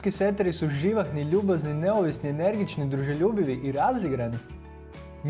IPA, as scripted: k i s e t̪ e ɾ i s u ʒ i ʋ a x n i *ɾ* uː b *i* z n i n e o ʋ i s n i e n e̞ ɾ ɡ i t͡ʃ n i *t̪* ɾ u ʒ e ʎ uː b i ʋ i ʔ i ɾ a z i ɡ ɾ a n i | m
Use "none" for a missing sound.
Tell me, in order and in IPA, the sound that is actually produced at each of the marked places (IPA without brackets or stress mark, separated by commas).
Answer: ʎ, a, d̪